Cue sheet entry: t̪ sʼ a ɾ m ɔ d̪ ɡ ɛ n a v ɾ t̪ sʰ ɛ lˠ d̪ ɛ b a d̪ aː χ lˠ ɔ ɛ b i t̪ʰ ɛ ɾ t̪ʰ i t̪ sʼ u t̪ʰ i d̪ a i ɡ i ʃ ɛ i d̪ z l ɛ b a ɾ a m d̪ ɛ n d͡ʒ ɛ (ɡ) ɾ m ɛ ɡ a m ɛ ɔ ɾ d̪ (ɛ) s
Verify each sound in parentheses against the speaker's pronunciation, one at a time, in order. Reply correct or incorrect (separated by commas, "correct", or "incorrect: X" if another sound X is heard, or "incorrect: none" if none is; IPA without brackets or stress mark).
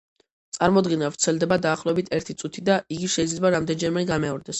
incorrect: none, correct